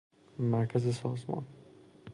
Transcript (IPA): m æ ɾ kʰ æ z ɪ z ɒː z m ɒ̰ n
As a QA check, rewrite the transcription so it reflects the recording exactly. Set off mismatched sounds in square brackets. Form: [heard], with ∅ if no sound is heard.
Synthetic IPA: m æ ɾ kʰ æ z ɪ [s] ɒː z m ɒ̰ n